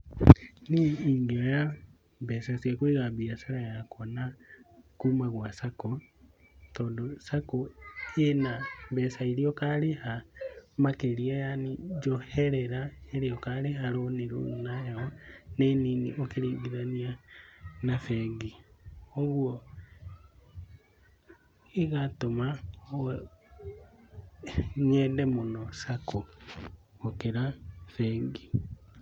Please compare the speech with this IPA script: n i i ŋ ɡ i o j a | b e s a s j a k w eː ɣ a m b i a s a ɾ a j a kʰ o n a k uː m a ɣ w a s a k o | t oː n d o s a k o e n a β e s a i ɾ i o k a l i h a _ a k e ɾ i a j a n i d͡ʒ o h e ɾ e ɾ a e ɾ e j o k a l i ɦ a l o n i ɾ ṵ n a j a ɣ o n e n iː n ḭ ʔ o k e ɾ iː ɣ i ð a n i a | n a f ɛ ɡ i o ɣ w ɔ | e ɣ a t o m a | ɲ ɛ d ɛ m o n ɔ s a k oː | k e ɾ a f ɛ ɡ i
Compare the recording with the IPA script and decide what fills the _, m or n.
m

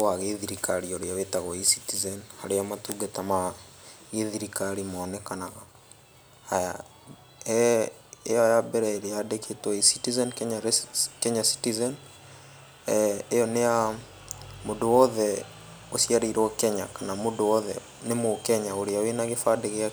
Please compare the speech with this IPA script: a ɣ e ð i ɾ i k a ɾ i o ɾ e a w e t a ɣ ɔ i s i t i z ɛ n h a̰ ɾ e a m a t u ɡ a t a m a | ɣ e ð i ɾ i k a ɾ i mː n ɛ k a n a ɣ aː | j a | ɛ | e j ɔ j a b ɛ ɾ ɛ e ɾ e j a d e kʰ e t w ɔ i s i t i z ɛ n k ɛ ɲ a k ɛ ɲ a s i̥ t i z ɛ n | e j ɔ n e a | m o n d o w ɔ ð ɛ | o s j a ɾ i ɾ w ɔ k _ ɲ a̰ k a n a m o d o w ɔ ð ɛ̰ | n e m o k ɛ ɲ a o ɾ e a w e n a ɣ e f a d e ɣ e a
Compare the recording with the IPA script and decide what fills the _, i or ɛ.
ɛ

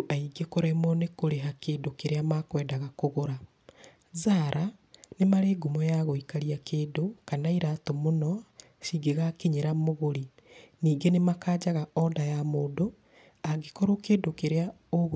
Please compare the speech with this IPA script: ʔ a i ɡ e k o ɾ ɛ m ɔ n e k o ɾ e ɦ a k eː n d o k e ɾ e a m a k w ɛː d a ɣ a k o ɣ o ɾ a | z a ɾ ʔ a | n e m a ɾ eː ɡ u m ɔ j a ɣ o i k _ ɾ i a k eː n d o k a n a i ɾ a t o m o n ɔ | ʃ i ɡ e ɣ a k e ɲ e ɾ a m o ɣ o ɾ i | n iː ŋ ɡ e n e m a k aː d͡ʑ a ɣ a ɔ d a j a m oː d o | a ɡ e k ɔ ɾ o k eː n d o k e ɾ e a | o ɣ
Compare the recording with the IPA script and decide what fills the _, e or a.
a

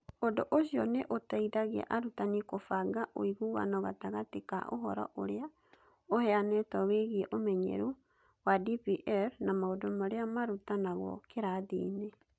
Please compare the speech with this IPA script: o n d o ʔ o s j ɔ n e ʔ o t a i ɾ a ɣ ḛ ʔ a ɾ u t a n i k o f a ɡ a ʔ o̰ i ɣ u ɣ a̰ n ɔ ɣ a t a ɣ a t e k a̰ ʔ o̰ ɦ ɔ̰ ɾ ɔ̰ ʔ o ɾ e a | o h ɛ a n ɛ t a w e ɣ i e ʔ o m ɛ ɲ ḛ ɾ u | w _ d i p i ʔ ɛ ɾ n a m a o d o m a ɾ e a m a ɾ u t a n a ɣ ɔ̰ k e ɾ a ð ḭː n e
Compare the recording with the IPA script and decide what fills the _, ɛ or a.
a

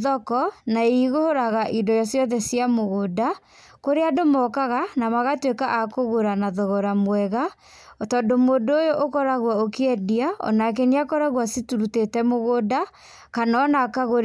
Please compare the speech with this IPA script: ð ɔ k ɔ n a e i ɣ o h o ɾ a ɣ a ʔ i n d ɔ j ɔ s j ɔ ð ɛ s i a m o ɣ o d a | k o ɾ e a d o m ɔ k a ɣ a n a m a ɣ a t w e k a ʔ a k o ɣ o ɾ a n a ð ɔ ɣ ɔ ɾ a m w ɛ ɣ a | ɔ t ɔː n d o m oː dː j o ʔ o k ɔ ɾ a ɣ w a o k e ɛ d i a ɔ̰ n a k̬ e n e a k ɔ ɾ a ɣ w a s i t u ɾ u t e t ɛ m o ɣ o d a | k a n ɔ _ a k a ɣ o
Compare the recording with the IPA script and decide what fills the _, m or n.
n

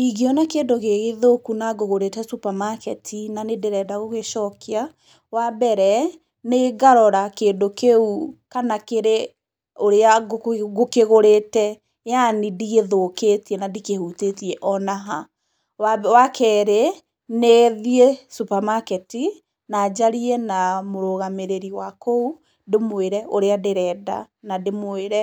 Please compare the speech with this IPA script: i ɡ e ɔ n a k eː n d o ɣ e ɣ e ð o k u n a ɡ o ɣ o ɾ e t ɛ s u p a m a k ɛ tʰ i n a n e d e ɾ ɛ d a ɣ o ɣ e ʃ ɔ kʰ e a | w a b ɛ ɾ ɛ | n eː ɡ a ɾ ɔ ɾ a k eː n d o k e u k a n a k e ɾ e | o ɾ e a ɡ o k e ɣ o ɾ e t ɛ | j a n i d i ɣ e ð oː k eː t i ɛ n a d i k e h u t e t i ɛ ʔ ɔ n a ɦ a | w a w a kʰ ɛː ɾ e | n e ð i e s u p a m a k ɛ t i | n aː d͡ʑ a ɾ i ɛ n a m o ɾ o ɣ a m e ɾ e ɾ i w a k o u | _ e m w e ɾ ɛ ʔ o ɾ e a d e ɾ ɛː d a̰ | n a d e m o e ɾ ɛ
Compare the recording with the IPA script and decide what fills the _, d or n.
d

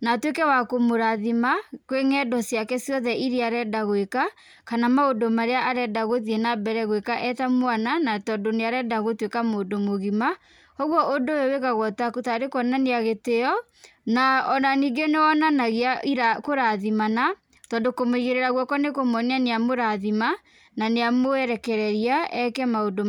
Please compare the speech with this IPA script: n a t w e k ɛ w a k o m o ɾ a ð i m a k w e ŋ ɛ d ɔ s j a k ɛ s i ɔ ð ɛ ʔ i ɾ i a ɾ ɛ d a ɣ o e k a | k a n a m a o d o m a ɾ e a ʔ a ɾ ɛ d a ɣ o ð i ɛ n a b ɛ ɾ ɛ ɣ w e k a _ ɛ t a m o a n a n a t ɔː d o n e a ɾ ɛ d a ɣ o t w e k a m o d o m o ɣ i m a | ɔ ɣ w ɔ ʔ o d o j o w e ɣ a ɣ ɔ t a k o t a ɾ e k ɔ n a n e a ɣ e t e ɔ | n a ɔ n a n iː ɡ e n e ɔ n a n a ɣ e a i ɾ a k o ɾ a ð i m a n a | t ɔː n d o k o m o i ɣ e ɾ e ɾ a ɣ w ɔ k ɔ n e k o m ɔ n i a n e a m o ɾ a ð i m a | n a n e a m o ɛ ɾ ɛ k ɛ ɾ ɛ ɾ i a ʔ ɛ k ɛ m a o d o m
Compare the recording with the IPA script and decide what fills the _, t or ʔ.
ʔ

